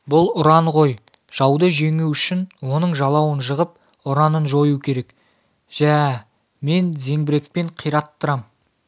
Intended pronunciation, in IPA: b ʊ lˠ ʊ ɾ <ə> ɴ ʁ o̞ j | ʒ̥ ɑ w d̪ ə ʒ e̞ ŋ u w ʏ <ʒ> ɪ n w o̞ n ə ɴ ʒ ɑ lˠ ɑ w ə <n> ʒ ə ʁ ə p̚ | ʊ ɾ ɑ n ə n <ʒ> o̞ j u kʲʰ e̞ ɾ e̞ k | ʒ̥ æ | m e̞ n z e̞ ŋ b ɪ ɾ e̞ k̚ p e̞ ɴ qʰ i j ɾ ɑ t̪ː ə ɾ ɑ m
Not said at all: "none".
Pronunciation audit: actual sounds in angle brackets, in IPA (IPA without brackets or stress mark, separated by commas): ɑ, ʃ, n, ʒ